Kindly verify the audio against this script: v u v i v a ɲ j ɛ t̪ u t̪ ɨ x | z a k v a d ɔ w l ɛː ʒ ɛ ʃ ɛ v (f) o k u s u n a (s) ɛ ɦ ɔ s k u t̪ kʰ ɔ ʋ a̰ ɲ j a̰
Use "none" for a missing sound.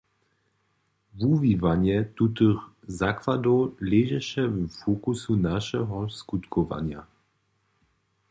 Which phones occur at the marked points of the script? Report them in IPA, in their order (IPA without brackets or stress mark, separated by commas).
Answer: f, ʃ